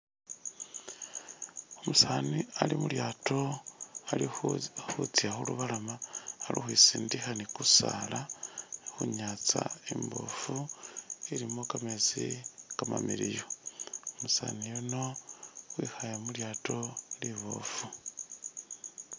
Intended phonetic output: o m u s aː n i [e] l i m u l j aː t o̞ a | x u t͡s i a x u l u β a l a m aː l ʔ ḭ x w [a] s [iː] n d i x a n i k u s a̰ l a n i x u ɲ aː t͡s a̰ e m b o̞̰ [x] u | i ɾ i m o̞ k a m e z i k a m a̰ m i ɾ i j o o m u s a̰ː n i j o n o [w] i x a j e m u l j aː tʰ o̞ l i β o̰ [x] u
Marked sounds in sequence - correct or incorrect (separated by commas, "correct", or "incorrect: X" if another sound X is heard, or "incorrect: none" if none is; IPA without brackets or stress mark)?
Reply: incorrect: a, incorrect: i, correct, incorrect: f, correct, incorrect: f